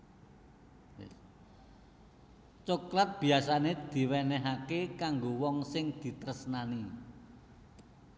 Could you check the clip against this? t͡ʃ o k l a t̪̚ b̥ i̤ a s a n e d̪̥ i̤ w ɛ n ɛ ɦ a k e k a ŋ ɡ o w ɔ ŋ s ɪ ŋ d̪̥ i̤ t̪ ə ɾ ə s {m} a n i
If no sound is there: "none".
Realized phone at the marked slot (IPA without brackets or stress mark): n